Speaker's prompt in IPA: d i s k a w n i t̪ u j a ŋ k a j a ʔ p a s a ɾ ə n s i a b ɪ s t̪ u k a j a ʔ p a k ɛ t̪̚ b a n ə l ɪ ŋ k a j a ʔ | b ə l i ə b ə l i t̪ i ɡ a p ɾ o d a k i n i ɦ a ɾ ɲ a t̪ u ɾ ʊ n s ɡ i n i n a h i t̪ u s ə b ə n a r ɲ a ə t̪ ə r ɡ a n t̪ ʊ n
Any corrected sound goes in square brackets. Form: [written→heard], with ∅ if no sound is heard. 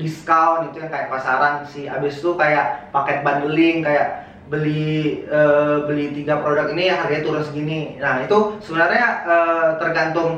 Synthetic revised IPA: d i s k a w n i t̪ u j a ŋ k a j a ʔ p a s a ɾ [ə→a] n s i a b ɪ s t̪ u k a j a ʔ p a k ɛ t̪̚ b a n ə l ɪ ŋ k a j a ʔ | b ə l i ə b ə l i t̪ i ɡ a p ɾ o d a k i n i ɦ a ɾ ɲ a t̪ u ɾ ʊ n s ɡ i n i n a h i t̪ u s ə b ə n a r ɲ a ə t̪ ə r ɡ a n t̪ ʊ [n→ŋ]